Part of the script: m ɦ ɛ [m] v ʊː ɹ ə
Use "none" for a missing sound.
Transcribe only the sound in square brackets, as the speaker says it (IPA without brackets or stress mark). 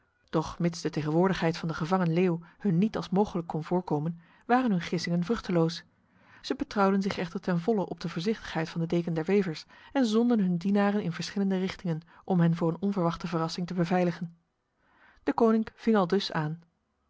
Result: n